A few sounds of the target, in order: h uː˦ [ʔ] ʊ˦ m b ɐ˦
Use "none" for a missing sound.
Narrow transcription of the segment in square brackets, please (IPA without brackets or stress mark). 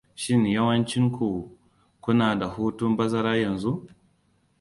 t